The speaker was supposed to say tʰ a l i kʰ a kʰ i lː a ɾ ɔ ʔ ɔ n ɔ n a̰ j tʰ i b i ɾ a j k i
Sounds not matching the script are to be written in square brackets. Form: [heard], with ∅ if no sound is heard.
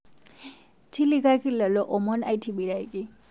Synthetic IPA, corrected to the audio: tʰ [i] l i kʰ a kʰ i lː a [l] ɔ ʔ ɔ [m] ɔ n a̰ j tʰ i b i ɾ a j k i